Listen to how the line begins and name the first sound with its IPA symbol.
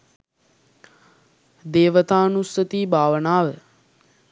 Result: d̪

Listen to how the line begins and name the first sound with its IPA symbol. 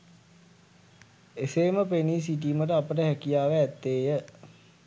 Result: e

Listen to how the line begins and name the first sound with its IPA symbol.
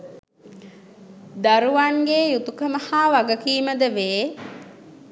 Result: d̪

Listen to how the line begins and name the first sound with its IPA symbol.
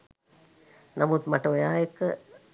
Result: n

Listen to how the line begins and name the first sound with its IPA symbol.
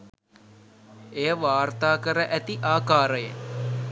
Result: e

